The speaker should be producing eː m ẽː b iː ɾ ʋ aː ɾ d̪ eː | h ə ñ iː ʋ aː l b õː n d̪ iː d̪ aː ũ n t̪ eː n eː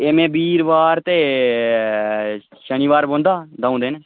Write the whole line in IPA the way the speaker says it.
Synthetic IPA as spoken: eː m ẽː b iː ɾ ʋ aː ɾ t̪ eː | ʃ ə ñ iː ʋ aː ɾ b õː n d̪ aː d̪ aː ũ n d̪ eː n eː

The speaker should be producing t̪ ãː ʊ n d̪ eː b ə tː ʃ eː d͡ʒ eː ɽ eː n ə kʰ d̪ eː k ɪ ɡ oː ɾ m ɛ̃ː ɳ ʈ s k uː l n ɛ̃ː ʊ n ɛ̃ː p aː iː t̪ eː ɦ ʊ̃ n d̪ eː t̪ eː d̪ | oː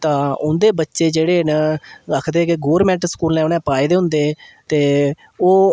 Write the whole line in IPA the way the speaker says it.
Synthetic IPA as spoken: t̪ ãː ʊ n d̪ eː b ə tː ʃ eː d͡ʒ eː ɽ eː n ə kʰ d̪ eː k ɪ ɡ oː ɾ m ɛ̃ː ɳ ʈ s k uː l n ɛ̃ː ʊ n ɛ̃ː p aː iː d̪ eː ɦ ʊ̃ n d̪ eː t̪ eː | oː

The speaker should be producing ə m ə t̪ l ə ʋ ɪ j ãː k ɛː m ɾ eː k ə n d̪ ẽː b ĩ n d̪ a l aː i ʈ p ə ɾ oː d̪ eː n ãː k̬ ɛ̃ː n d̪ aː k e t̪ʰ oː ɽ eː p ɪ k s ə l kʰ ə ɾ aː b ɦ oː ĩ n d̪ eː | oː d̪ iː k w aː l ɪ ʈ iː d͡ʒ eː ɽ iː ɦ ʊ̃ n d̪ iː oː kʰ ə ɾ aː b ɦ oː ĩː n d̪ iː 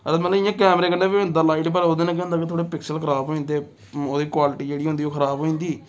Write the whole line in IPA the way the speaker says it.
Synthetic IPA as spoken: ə m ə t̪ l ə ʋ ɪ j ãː k ɛː m ɾ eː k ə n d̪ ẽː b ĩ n d̪ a l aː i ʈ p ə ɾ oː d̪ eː n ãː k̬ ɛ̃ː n d̪ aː k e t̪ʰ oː ɽ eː p ɪ k s ə l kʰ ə ɾ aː b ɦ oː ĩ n d̪ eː | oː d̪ iː k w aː l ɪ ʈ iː d͡ʒ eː ɽ iː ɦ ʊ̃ n d̪ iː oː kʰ ə ɾ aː b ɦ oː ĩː n d̪ iː

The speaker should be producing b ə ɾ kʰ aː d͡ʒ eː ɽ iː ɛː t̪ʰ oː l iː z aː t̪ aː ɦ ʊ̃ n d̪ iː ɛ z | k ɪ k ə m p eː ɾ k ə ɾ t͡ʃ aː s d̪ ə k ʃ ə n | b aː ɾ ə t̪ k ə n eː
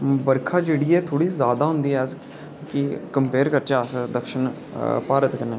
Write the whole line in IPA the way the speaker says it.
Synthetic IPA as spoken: b ə ɾ kʰ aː d͡ʒ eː ɽ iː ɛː t̪ʰ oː ɽ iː z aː d̪ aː ɦ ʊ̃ n d̪ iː ɛ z | k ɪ k ə m p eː ɾ k ə ɾ t͡ʃ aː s d̪ ə k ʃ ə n | p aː ɾ ə t̪ k ə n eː

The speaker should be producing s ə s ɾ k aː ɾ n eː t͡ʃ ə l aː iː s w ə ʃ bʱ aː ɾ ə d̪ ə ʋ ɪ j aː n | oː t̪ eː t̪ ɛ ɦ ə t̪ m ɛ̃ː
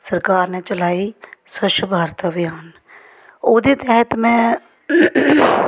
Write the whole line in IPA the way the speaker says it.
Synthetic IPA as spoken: s ə ɾ k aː ɾ n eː t͡ʃ ə l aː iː s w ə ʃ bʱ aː ɾ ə t̪ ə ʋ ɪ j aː n | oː d̪ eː t̪ ɛ ɦ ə t̪ m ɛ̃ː

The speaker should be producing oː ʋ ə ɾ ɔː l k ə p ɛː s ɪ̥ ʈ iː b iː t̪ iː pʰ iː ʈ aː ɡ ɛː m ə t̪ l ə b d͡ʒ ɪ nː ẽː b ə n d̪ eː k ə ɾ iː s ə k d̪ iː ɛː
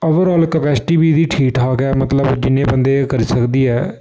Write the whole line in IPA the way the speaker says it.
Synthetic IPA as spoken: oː ʋ ə ɾ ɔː l k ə p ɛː s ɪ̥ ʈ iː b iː d̪ iː ʈʰ iː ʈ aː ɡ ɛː m ə t̪ l ə b d͡ʒ ɪ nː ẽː b ə n d̪ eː k ə ɾ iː s ə k d̪ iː ɛː

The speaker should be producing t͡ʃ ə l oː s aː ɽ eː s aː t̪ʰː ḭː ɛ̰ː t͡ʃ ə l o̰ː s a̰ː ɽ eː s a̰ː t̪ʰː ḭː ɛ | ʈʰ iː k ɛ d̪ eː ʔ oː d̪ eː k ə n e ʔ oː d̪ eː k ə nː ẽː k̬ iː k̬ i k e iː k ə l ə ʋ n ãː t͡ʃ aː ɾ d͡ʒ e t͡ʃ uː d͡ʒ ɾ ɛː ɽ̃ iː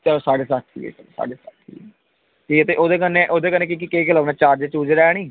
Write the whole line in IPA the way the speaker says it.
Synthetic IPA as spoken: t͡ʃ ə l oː s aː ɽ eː s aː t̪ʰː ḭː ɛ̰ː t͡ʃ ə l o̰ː s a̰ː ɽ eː s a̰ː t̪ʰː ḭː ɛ | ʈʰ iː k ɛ t̪ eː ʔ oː d̪ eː k ə n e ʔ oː d̪ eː k ə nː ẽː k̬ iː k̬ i k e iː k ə l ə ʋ n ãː t͡ʃ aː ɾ d͡ʒ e t͡ʃ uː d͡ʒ ɾ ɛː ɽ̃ iː

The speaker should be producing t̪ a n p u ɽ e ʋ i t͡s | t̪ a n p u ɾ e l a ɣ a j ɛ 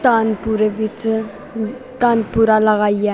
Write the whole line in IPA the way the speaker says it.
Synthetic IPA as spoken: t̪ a n p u ɾ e ʋ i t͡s | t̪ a n p u ɾ a l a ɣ a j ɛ

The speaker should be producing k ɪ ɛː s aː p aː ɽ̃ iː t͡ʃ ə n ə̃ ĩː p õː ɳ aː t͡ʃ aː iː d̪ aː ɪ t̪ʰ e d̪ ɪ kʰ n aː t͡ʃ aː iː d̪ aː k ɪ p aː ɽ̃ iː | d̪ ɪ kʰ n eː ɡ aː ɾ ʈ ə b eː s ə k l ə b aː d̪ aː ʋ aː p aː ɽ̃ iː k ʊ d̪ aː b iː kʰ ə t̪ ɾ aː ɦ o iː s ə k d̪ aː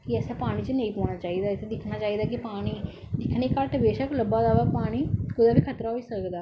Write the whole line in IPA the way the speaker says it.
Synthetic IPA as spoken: k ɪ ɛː s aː p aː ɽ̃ iː t͡ʃ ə n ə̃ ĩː p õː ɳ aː t͡ʃ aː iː d̪ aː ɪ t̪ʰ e d̪ ɪ kʰ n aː t͡ʃ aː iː d̪ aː k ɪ p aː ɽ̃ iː | d̪ ɪ kʰ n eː k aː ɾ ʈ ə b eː ʃ ə k l ə b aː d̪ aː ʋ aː p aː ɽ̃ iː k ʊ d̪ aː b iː kʰ ə t̪ ɾ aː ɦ o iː s ə k d̪ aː

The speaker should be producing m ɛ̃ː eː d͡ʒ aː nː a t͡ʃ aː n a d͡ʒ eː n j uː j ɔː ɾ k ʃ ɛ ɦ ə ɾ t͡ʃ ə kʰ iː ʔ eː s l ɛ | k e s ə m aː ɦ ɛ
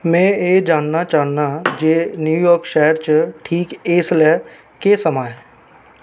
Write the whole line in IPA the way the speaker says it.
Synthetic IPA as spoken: m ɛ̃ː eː d͡ʒ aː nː a t͡ʃ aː n a d͡ʒ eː n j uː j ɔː ɾ k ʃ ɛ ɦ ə ɾ t͡ʃ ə ʈʰ iː k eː s l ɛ | k e s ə m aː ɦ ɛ

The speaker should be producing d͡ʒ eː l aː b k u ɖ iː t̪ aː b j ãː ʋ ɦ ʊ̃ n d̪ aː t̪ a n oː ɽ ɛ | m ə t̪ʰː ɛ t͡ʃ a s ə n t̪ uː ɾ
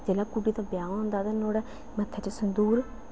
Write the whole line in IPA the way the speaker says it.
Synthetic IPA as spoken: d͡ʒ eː l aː k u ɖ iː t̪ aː b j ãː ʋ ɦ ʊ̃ n d̪ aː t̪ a n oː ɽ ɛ | m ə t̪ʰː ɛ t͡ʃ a s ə n d̪ uː ɾ

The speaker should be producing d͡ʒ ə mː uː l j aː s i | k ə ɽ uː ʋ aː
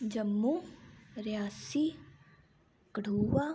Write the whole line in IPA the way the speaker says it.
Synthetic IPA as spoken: d͡ʒ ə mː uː ɾ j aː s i | k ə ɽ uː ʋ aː

